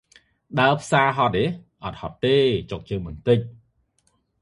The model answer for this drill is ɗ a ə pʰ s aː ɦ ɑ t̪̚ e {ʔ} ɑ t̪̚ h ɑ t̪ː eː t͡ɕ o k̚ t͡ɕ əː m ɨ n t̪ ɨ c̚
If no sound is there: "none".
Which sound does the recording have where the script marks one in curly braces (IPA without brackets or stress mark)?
ʔ